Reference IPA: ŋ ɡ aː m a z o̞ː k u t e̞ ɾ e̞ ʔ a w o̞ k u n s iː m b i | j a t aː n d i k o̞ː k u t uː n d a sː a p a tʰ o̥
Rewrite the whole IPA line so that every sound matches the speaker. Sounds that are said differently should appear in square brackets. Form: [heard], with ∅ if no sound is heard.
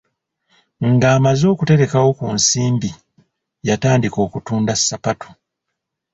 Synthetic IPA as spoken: ŋ ɡ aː m a z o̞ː k u t e̞ ɾ e̞ [k] a w o̞ k u n s iː m b i | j a t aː n d i k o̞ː k u t uː n d a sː a p a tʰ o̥